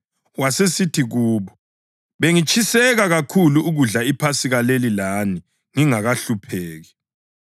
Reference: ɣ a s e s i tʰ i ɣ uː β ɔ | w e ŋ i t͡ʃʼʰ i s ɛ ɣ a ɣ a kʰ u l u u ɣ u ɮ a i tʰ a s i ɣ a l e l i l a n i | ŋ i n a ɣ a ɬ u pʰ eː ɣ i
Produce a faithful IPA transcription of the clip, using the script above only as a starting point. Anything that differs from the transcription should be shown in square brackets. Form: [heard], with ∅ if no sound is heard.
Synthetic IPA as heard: [w] a s e s i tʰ i ɣ uː β ɔ | [β] e ŋ i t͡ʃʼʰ i s ɛ ɣ a ɣ a kʰ u l u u ɣ u ɮ a i [pʰ] a s i ɣ a l e l i l a n i | ŋ i [ŋ] a ɣ a ɬ u pʰ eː ɣ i